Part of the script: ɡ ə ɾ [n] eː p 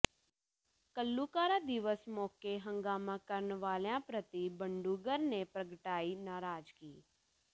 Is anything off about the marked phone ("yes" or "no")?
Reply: no